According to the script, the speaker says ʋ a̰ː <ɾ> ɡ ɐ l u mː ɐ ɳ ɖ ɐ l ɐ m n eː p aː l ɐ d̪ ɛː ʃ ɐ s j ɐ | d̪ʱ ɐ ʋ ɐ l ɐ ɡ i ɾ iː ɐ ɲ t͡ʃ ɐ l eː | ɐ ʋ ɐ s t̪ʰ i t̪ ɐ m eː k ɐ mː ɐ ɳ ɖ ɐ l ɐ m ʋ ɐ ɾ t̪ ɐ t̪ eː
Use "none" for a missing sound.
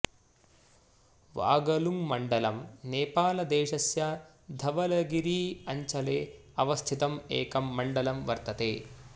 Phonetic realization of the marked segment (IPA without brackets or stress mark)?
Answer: none